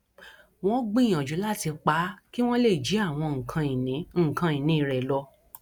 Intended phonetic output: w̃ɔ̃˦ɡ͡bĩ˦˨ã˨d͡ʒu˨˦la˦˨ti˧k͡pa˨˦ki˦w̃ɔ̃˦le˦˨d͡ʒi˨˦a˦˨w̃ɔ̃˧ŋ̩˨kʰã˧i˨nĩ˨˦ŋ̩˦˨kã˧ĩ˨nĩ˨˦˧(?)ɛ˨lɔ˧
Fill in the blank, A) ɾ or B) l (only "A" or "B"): A